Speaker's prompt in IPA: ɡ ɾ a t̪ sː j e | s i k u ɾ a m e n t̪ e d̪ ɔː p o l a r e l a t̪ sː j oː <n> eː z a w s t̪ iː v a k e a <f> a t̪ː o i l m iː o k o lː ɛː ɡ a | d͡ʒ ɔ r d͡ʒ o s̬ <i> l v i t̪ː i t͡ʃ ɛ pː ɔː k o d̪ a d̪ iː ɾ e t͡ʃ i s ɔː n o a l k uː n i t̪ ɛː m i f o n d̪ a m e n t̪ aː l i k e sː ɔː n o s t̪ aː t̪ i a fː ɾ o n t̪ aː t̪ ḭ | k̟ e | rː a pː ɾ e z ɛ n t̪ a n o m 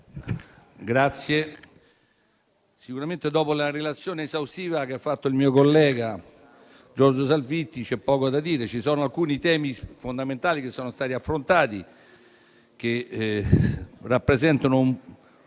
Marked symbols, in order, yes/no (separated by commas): yes, no, no